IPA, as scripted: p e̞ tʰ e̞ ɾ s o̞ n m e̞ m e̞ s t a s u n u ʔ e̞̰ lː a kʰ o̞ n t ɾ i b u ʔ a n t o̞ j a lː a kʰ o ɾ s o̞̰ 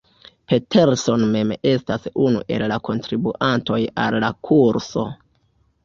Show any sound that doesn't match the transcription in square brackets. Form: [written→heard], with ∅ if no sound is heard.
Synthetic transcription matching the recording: p e̞ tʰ e̞ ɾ s o̞ n m e̞ m e̞ s t a s u n u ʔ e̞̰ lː a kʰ o̞ n t ɾ i b u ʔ a n t o̞ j a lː a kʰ [o→u] ɾ s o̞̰